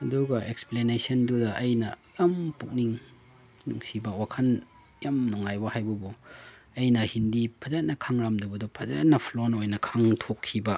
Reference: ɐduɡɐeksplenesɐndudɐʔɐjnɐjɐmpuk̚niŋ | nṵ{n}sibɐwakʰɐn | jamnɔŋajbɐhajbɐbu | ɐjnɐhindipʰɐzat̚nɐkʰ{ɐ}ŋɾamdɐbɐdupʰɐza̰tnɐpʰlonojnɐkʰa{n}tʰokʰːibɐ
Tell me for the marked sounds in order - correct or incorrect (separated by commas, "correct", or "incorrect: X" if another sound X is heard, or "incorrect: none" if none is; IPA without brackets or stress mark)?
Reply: incorrect: ŋ, incorrect: a, incorrect: ŋ